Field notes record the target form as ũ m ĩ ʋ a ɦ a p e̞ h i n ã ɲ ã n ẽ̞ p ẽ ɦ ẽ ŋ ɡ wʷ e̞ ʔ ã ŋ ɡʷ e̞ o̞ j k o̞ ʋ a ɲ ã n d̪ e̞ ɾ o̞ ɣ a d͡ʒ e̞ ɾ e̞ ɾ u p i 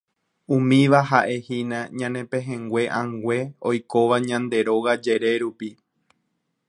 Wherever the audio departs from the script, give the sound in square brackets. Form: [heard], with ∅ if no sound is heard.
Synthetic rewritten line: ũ m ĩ ʋ a ɦ a [ʔ] e̞ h i n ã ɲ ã n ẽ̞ p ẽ ɦ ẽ ŋ ɡ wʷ e̞ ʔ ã ŋ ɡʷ e̞ o̞ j k o̞ ʋ a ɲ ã n d̪ e̞ ɾ o̞ ɣ a d͡ʒ e̞ ɾ e̞ ɾ u p i